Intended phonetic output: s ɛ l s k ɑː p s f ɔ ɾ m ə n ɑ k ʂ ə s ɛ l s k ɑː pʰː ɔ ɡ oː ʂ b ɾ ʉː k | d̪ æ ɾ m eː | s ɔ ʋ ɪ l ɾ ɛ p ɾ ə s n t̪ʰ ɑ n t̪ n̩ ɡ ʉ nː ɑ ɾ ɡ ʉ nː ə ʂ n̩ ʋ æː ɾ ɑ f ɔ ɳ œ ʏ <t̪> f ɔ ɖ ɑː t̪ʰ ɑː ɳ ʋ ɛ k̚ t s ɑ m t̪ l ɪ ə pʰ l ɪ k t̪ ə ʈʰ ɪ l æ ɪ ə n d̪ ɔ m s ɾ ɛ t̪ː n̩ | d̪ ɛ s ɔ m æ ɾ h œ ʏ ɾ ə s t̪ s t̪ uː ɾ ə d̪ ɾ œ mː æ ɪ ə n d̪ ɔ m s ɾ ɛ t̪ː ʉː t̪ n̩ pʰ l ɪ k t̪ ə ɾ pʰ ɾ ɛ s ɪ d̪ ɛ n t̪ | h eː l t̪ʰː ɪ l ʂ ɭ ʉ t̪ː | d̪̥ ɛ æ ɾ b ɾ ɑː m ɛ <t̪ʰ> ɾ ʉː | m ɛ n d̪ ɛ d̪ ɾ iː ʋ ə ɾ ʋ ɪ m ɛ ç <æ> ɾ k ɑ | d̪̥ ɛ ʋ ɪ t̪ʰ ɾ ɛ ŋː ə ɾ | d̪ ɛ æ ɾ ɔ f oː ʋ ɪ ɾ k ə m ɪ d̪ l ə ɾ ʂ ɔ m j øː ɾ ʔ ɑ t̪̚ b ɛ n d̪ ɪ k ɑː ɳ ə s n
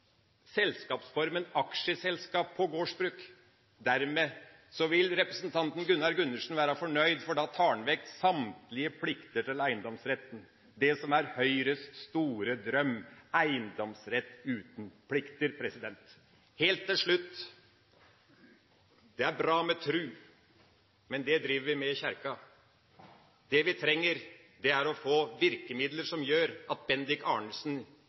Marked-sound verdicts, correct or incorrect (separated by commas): incorrect, correct, correct